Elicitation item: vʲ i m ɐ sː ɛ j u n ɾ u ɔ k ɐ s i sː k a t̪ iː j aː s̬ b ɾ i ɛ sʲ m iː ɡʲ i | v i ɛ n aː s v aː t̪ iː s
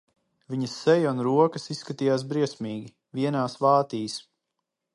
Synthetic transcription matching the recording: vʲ i ɲ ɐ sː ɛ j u n ɾ u ɔ k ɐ s i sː k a t̪ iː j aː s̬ b ɾ i ɛ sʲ m iː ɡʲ i | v i ɛ n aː s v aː t̪ iː s